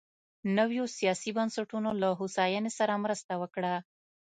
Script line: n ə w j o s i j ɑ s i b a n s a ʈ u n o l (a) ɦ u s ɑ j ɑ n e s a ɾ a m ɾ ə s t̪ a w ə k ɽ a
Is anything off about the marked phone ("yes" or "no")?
no